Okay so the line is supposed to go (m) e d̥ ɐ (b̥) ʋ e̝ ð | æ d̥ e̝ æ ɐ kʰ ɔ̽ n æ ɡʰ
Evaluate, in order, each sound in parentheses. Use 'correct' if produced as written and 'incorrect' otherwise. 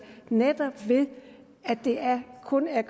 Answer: incorrect, correct

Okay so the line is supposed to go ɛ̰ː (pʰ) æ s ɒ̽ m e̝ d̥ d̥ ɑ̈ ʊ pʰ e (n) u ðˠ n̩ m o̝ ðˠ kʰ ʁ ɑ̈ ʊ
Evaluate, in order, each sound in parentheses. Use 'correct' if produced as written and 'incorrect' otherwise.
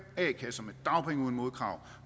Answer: incorrect, incorrect

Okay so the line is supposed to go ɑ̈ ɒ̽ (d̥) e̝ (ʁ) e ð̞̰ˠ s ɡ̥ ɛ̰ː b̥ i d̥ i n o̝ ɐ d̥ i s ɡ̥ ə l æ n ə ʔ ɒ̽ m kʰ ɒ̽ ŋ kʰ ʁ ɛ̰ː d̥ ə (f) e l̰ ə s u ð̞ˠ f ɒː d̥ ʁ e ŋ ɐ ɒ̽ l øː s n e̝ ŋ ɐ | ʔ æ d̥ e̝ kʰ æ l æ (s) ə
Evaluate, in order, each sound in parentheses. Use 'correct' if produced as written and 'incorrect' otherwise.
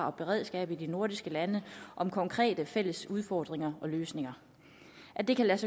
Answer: incorrect, correct, correct, correct

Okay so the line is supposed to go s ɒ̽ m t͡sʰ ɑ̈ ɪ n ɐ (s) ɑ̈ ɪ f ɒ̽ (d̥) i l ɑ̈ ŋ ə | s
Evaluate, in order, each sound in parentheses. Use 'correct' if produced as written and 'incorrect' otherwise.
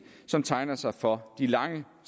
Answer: correct, correct

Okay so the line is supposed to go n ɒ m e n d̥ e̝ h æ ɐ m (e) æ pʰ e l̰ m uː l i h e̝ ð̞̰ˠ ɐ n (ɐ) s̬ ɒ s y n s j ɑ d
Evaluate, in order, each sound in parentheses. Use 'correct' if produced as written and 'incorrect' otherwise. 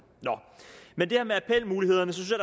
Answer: correct, incorrect

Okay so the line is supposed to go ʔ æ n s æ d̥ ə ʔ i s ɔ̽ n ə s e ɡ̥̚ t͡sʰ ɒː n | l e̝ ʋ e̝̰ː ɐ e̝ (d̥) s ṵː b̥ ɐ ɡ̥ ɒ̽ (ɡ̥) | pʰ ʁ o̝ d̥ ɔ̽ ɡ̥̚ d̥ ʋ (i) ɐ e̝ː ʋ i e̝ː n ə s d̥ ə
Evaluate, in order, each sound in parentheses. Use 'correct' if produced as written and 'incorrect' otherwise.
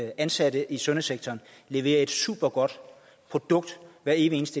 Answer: correct, incorrect, incorrect

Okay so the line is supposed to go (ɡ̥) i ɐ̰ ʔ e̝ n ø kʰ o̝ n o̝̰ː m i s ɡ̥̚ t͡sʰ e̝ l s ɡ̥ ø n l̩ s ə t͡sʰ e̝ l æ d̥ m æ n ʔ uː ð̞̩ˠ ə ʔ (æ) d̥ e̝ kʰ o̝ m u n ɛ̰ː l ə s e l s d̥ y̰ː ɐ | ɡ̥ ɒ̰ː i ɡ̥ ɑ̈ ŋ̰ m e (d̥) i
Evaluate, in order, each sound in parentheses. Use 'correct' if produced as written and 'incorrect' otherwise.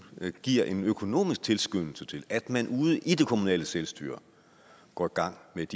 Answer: correct, incorrect, correct

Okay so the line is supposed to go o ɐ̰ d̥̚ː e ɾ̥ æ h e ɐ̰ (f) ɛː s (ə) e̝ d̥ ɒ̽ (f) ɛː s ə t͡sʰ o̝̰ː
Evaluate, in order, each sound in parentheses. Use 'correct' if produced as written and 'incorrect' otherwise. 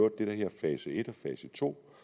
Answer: correct, correct, correct

